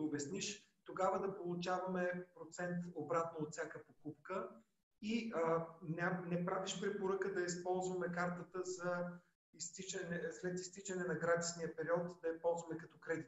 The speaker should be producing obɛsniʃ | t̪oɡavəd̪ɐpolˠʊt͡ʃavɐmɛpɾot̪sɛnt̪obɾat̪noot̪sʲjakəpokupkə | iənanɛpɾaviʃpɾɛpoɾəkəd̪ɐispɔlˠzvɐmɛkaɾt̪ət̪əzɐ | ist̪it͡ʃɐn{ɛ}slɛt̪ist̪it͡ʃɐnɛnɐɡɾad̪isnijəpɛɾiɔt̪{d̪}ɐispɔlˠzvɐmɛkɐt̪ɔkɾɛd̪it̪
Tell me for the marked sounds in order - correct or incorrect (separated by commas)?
correct, correct